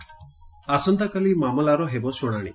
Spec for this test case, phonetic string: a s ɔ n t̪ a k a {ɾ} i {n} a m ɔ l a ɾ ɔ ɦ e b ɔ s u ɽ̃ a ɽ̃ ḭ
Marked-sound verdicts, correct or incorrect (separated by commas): incorrect, incorrect